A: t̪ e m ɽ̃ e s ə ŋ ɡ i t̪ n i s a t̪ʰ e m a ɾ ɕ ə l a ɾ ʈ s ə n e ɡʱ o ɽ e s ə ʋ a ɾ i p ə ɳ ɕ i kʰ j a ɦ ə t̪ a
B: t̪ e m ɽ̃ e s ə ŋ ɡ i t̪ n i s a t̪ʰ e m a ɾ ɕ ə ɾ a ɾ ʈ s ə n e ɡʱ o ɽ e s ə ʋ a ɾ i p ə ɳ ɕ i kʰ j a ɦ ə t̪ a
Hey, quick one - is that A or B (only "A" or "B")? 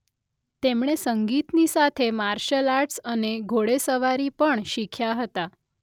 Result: A